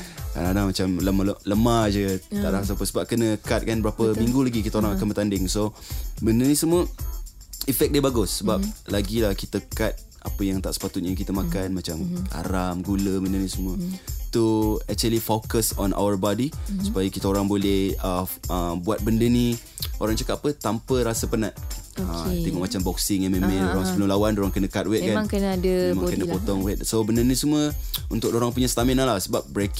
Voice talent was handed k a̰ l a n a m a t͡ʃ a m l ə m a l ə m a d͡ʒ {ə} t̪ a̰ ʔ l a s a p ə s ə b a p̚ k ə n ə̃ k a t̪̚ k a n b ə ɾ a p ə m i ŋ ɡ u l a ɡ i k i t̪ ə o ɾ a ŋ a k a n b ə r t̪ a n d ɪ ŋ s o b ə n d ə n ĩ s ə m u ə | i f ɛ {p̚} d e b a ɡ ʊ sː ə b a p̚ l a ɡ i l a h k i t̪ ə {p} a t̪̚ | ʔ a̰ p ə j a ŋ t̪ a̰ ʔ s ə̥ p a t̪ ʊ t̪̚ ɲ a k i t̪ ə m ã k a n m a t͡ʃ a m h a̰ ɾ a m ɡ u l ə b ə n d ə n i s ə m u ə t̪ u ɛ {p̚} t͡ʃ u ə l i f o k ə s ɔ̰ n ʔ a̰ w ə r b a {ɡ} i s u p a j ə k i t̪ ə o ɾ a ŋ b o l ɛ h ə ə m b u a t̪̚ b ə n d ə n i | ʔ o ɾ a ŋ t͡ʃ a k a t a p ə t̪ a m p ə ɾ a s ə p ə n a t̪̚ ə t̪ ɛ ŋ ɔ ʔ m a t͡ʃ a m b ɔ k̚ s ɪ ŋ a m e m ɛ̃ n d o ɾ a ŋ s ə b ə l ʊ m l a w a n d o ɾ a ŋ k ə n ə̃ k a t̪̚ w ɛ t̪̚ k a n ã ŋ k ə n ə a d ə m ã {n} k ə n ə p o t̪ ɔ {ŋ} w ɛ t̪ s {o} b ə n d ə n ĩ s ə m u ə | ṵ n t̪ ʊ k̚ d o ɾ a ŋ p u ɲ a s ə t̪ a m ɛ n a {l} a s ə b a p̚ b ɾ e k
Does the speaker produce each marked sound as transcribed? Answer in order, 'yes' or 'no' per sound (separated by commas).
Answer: yes, no, no, no, no, no, yes, yes, yes